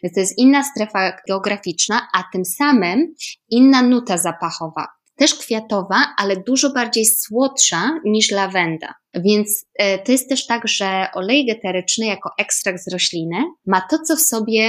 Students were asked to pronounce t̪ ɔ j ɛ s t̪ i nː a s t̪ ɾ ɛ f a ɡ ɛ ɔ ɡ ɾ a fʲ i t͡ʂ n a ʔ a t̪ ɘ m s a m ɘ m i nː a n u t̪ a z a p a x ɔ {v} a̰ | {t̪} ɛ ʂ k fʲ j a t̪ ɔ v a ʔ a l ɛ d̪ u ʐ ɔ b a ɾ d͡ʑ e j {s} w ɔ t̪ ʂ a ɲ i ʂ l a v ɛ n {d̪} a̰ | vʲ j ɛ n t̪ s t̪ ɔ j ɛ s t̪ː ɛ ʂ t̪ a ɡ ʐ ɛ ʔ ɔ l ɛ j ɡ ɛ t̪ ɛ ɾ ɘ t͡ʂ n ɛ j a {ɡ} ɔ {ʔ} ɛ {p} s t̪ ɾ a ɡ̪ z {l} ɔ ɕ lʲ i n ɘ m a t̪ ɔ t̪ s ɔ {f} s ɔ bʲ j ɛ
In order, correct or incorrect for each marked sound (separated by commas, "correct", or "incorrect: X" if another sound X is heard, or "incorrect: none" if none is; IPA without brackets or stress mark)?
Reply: correct, correct, correct, correct, incorrect: k, correct, incorrect: k, incorrect: ɾ, correct